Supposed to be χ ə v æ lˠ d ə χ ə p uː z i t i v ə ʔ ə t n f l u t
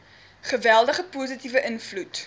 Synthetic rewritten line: χ ə v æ lˠ d ə χ ə p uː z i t i v ə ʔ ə n f l u t